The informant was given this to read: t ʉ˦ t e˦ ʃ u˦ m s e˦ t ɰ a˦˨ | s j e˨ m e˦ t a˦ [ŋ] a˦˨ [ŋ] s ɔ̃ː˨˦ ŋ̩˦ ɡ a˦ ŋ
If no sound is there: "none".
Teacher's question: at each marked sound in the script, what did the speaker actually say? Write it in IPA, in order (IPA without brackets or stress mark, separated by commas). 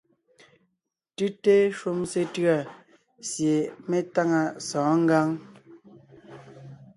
ŋ, none